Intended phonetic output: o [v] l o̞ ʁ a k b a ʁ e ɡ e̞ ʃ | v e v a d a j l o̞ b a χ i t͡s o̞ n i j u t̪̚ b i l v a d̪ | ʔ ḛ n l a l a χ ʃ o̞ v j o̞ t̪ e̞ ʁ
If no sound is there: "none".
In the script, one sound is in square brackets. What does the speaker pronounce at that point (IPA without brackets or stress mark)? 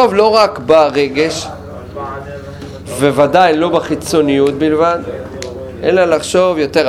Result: v